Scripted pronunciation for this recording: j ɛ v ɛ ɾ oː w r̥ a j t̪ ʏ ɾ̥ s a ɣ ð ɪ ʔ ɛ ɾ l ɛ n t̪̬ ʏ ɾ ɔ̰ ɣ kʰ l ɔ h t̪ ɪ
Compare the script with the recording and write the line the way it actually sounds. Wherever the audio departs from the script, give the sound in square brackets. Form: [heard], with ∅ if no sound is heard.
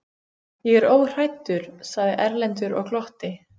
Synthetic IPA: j ɛ [ɣ] ɛ ɾ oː w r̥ a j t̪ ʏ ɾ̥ s a ɣ ð ɪ ʔ ɛ ɾ l ɛ n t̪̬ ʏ ɾ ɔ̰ ɣ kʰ l ɔ h t̪ ɪ

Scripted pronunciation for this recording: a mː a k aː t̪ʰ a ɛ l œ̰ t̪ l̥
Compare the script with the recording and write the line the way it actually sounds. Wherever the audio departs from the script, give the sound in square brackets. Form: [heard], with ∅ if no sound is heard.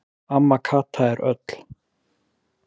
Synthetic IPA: a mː a [kʰ] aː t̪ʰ a ɛ [ɾ] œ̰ t̪ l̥

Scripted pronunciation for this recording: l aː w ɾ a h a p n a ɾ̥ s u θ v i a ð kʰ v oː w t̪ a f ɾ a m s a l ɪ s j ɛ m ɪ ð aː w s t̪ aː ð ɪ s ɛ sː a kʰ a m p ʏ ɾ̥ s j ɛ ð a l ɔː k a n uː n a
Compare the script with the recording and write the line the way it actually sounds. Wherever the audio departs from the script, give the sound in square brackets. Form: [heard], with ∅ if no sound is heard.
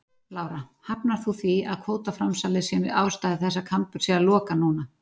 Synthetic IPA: l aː w ɾ a h a p n a ɾ̥ [θ] u θ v i a ð kʰ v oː w t̪ a f ɾ a m s a l ɪ s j ɛ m ɪ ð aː w s t̪ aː ð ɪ [θ] ɛ sː a kʰ a m p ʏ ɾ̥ s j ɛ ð a l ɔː k a n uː n a

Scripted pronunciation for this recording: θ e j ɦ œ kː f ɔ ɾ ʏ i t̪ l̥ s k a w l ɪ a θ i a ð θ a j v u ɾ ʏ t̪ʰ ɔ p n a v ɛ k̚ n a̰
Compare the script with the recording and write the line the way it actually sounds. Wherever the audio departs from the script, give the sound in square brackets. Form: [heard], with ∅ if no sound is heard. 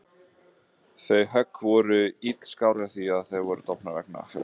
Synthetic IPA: θ e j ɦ œ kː [v] ɔ ɾ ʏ i t̪ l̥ s k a w [ɾ] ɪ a θ i a ð θ [e] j v [ɔ] ɾ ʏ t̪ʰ ɔ p n a v ɛ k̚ n a̰

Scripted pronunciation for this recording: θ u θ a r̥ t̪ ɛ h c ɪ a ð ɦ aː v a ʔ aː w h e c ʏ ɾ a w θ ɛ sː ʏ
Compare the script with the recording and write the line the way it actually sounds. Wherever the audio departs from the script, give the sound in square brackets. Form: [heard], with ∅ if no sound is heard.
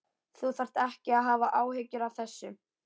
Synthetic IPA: θ u θ a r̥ t̪ ɛ h c ɪ a ð ɦ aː v a ʔ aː w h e c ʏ ɾ a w θ ɛ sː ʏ

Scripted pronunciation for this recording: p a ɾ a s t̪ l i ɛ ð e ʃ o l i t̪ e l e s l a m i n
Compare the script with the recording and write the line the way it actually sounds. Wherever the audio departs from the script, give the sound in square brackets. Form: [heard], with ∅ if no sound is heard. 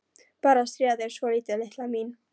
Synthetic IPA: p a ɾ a s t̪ [ɾ] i [a] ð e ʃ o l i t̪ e l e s l a m i n

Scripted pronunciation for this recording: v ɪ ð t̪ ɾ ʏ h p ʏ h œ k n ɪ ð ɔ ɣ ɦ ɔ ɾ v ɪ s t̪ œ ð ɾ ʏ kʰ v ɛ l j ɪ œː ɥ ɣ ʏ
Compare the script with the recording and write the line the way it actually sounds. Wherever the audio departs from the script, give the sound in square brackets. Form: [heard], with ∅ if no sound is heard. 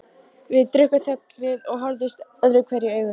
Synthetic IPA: v ɪ ð t̪ ɾ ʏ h [k] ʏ [θ] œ k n ɪ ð ɔ ɣ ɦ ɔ ɾ [ð] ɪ s t̪ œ ð ɾ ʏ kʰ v ɛ [ɾ] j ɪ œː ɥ ɣ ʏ

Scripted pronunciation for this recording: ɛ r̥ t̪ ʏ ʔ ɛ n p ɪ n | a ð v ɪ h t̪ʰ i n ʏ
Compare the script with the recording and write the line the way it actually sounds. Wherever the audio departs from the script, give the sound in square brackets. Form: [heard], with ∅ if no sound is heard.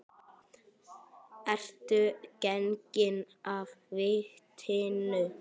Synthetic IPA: ɛ r̥ t̪ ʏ [c] ɛ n [c] ɪ n | a [v] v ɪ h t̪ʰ [ɪ] n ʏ

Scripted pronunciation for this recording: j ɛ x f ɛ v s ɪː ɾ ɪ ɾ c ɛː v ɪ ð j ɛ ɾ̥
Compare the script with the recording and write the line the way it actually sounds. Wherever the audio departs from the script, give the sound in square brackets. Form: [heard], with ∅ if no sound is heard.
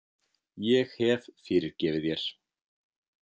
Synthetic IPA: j ɛ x [h] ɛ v [f] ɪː ɾ ɪ ɾ c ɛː v ɪ ð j ɛ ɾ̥

